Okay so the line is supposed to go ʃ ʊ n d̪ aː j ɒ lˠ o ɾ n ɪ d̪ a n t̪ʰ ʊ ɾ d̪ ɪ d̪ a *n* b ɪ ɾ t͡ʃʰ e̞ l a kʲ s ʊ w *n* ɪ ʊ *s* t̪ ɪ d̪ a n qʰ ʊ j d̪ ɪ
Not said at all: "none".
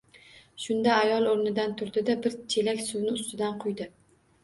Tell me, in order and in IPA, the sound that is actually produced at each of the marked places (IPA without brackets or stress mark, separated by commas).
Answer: none, n, s